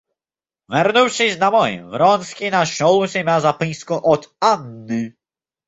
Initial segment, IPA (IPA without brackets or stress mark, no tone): v